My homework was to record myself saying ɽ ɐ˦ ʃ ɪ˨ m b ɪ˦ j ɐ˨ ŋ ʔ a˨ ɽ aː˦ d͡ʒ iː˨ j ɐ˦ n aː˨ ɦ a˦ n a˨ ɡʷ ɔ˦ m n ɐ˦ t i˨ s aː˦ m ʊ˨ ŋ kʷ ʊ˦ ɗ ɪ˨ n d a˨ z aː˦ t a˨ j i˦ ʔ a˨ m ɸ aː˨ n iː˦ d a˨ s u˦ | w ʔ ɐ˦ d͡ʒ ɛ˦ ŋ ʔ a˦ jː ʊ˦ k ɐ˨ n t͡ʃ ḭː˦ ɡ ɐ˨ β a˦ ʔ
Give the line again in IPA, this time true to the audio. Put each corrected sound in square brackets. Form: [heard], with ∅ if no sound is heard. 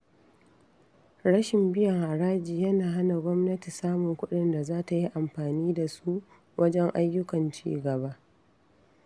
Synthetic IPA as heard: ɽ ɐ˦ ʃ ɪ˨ m b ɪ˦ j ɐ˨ ŋ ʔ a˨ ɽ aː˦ d͡ʒ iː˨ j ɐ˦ n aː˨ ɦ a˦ n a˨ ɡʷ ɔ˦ m n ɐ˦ t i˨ s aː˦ m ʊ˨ ŋ kʷ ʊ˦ ɗ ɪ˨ n d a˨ z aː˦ t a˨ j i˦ ʔ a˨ m ɸ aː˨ n iː˦ d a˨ s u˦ | w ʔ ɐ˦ d͡ʒ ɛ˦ ŋ ʔ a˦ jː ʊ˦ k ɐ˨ n t͡ʃ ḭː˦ ɡ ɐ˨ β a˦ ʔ